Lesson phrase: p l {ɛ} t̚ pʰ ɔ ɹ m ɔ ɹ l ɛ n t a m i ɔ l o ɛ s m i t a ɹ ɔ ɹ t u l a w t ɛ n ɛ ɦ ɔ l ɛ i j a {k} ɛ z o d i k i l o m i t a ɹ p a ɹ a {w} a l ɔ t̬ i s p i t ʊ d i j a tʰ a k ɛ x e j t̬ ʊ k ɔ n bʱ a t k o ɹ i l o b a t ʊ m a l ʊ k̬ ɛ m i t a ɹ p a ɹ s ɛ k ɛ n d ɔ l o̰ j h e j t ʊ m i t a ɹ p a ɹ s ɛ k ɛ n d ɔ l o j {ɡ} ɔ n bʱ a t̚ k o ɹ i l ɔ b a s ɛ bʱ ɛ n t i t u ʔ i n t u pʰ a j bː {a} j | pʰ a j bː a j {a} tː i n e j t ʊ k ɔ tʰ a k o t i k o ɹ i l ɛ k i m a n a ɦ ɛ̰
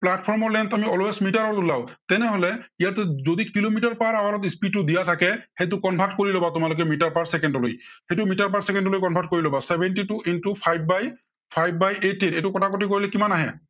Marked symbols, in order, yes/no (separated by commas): no, no, yes, no, yes, no